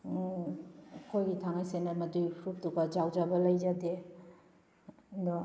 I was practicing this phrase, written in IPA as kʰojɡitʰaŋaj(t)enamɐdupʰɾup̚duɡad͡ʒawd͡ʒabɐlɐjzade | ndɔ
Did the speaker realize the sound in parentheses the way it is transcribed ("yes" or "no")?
no